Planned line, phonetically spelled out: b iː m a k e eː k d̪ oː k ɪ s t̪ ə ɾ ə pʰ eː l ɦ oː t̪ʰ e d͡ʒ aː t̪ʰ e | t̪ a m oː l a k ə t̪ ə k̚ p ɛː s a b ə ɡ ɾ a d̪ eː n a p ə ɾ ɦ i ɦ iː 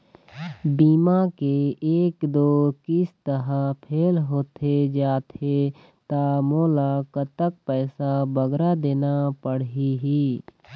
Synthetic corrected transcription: b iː m a k e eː k d̪ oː k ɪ s t̪ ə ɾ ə pʰ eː l ɦ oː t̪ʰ e d͡ʒ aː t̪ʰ e | t̪ a m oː l a k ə t̪ ə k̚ p ɛː s a b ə ɡ ɾ a d̪ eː n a p ə ɽ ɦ i ɦ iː